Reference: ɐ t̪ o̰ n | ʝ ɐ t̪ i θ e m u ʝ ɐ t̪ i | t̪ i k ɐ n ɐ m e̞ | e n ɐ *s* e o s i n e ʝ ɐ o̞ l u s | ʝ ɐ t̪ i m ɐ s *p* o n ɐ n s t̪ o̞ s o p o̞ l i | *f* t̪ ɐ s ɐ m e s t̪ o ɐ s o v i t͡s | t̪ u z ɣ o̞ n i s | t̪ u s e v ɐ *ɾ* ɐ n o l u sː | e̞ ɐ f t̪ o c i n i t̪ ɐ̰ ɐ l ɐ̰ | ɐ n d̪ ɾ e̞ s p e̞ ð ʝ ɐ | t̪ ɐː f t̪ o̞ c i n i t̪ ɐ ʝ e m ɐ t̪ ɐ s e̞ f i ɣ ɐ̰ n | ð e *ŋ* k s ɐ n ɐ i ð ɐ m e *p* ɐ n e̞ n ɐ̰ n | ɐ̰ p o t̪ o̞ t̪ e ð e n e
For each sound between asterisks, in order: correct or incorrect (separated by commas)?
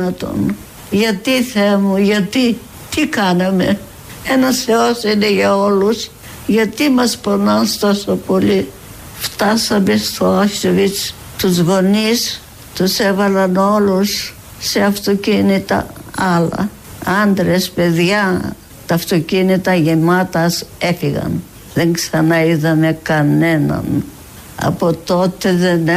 correct, correct, correct, incorrect, correct, incorrect